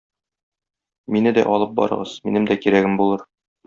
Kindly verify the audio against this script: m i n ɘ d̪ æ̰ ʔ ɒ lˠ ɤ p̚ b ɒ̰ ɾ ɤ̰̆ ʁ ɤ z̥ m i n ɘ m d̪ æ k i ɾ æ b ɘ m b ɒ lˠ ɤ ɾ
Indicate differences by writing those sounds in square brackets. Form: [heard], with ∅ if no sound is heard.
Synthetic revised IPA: m i n ɘ d̪ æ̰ ʔ ɒ lˠ ɤ p̚ b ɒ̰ ɾ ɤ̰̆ ʁ ɤ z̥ m i n ɘ m d̪ æ k i ɾ æ [ɡ] ɘ m b [u] lˠ ɤ ɾ